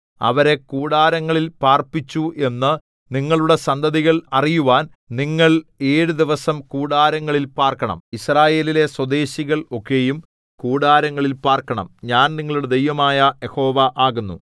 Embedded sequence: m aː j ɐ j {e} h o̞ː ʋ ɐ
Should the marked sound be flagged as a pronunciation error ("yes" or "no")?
no